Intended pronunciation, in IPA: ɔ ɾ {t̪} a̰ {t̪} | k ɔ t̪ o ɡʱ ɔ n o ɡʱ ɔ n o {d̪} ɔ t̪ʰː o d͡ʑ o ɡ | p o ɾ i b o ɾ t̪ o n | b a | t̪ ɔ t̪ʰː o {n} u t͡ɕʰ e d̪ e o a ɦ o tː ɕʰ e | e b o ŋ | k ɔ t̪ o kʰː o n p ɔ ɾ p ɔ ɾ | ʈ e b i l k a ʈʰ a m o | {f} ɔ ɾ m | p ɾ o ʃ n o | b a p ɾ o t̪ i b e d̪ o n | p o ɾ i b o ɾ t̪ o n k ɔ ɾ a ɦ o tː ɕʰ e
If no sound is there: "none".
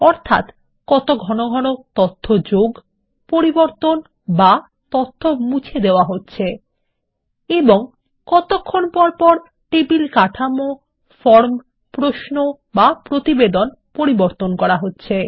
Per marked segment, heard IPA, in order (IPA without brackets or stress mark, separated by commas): t̪ʰ, t̪, t̪, m, f